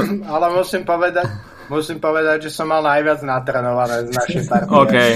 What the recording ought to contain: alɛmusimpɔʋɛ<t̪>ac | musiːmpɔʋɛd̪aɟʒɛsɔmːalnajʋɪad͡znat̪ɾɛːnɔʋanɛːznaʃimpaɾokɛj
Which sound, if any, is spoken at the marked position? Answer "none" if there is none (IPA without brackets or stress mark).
d̪